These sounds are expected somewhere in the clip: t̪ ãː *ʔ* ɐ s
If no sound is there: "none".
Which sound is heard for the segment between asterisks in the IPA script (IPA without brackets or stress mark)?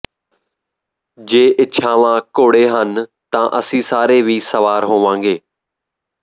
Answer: ʔ